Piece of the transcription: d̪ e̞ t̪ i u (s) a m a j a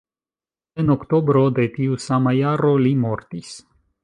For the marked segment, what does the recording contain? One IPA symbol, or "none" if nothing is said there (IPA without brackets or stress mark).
s